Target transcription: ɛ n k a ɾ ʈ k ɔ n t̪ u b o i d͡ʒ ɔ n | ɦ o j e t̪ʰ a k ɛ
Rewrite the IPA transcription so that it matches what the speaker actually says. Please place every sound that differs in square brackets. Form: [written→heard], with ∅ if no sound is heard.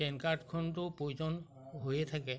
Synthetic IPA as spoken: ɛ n k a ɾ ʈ [k→kʰ] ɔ n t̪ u [b→p] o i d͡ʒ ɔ n | ɦ o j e t̪ʰ a k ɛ